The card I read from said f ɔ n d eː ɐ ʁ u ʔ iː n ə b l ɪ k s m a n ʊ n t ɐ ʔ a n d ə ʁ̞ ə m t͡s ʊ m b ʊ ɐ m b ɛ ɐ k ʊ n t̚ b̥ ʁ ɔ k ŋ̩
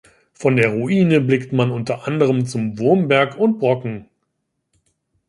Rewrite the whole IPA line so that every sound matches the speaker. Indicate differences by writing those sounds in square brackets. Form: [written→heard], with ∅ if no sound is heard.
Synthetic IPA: f ɔ n d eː ɐ ʁ u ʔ iː n ə b l ɪ k [s→t] m a n ʊ n t ɐ ʔ a n d ə ʁ̞ ə m t͡s ʊ m [b→v] ʊ ɐ m b ɛ ɐ k ʊ n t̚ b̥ ʁ ɔ k ŋ̩